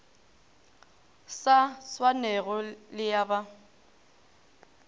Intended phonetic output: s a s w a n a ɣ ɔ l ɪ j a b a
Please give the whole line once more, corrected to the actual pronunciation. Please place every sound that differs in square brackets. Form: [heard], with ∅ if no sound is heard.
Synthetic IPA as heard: s a s w a n [ɛ] ɣ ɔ l ɪ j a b a